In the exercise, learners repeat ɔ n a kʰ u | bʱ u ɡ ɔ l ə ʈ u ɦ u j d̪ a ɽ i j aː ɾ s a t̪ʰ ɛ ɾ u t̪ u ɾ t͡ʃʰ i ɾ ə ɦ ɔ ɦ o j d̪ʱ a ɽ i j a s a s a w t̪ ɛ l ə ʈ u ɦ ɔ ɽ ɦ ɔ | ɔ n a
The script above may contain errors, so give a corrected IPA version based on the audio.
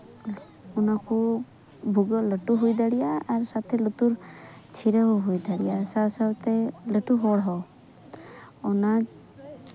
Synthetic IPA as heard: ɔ n a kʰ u | bʱ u ɡ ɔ l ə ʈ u ɦ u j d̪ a ɽ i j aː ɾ s a t̪ʰ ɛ l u t̪ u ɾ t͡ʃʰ i ɾ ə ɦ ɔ ɦ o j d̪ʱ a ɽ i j a s a s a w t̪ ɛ l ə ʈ u ɦ ɔ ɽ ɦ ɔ | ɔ n a